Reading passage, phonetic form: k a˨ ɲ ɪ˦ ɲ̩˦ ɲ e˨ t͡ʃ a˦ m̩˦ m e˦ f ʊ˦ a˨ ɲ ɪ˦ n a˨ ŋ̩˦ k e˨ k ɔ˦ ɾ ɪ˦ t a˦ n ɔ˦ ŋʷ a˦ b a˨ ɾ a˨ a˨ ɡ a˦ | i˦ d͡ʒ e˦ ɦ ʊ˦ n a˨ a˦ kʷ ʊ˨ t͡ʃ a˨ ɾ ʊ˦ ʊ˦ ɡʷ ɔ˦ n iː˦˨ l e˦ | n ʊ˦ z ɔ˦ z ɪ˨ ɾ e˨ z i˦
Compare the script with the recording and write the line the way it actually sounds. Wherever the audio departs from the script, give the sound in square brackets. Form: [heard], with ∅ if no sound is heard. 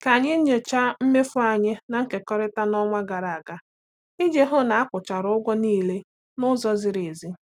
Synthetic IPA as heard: k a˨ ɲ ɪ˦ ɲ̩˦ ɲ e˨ t͡ʃ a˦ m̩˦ m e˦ f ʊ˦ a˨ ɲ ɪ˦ n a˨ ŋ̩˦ k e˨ k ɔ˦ ɾ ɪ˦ t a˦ n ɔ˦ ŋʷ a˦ [ɡ] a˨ ɾ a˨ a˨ ɡ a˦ | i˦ d͡ʒ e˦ ɦ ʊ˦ n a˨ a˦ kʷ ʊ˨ t͡ʃ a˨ ɾ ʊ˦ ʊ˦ ɡʷ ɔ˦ n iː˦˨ l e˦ | n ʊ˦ z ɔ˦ z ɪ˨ ɾ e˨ z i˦